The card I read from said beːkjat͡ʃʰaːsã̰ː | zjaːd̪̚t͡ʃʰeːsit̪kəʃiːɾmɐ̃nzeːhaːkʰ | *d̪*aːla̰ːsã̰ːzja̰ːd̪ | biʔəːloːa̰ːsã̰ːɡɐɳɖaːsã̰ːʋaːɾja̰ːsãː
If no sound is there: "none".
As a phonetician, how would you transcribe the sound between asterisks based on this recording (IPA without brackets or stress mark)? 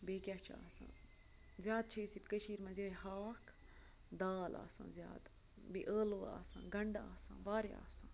d̪